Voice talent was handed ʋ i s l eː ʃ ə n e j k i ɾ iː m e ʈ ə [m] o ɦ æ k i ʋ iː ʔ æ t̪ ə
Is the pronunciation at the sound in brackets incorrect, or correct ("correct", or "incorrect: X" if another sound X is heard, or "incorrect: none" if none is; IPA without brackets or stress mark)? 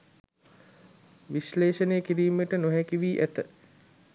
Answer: incorrect: n